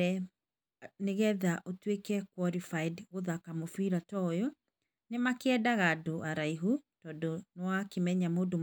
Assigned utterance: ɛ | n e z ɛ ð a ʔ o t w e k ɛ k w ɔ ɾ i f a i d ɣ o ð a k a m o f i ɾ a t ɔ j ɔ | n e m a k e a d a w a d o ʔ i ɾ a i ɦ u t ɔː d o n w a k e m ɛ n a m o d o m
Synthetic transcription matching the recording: ɛ | n e ɣ ɛ ð a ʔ o t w e k ɛ k w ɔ ɾ i f a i d ɣ o ð a k a m o f i ɾ a t ɔ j ɔ | n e m a k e ɛ d a ɣ a d o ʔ a ɾ a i ɦ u t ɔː d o n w a k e m ɛ ɲ a m o d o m